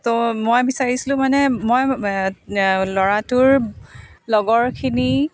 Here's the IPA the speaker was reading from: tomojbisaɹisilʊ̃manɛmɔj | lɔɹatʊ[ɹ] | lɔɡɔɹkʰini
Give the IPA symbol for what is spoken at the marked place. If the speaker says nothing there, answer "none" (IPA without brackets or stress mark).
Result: ɹ